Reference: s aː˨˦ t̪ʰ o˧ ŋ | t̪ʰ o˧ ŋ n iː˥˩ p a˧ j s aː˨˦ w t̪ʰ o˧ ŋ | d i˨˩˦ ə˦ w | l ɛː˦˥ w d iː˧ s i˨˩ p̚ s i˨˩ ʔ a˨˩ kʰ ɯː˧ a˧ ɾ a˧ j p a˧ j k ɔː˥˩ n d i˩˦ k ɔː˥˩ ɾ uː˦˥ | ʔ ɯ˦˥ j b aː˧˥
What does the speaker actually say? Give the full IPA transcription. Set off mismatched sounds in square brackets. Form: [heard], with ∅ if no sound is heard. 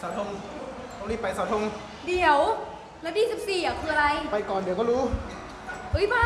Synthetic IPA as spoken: s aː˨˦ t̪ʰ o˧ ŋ | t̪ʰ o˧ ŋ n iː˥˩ p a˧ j s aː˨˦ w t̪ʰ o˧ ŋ | d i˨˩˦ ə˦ w | l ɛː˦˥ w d [iː˥˩] s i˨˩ p̚ s [iː˨˩] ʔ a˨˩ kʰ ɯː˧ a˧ ɾ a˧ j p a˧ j k [ɔː˨˩] n d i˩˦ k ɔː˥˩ ɾ uː˦˥ | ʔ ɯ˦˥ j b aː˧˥

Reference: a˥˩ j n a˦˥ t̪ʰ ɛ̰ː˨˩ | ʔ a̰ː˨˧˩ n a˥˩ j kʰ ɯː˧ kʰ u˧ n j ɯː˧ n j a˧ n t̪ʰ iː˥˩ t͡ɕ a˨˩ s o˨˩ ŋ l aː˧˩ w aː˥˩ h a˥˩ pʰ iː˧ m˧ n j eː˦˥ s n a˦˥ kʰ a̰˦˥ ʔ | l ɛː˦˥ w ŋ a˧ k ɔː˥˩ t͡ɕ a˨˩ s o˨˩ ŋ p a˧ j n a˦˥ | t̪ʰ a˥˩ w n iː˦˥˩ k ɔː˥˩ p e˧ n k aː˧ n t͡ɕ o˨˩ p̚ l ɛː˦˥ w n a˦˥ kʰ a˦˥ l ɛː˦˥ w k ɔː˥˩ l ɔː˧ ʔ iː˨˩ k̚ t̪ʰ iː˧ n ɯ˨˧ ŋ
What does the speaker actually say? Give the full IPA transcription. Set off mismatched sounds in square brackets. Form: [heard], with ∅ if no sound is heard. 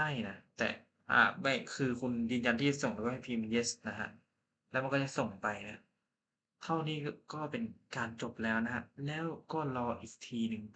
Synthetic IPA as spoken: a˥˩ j n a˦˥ [t̪] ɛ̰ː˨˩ | ʔ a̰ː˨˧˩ [m] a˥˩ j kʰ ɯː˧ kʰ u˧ n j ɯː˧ n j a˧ n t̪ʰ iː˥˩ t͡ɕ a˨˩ s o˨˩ ŋ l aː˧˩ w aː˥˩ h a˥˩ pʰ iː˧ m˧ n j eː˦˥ s n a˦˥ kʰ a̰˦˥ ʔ | l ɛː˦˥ w [m] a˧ k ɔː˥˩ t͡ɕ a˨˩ s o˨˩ ŋ p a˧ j n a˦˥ | t̪ʰ a˥˩ w n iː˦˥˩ k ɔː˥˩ p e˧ n k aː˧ n t͡ɕ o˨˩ p̚ l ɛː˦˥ w n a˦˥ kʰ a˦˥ l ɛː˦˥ w k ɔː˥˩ l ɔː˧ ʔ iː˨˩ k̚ t̪ʰ iː˧ n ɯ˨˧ ŋ

